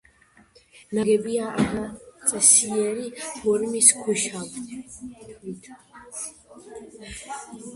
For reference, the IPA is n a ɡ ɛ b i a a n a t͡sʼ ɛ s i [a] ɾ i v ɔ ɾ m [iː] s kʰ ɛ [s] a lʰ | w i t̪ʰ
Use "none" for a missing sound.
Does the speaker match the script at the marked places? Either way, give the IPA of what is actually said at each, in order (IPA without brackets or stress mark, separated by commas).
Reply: ɛ, i, ʃ